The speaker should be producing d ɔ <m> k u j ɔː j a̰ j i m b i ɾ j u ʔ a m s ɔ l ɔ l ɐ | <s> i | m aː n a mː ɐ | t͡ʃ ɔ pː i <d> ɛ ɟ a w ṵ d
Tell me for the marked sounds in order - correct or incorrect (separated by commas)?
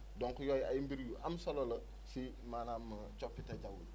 incorrect, correct, incorrect